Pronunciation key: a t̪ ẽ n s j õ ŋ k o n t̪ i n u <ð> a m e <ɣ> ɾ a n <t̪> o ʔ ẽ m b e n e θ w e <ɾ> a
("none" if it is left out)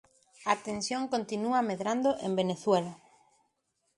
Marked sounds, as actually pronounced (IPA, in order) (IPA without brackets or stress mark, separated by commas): none, ð, d̪, l